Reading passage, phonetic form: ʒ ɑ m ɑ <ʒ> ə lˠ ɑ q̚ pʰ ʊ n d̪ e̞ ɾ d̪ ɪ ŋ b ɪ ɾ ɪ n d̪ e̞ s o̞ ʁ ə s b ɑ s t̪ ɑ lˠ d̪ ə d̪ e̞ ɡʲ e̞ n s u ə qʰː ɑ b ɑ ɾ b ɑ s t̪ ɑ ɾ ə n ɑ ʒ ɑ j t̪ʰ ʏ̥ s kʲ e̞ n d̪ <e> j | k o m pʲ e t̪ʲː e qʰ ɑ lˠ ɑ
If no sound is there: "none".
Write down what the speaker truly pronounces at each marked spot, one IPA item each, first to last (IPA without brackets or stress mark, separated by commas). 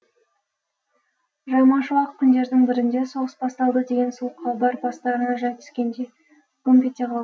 ʃ, e